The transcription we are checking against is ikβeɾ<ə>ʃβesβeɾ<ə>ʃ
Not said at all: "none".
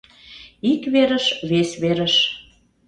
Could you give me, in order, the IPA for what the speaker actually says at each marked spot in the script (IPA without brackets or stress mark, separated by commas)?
ə, ə